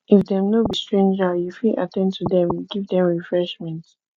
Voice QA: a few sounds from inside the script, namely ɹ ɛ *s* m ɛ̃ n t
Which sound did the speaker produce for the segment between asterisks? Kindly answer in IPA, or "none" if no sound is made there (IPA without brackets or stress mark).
ʃ